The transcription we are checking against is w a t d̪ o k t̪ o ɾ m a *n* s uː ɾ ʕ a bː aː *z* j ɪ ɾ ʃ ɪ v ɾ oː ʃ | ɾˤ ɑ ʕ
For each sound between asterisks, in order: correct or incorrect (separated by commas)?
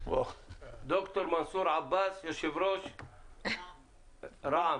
correct, incorrect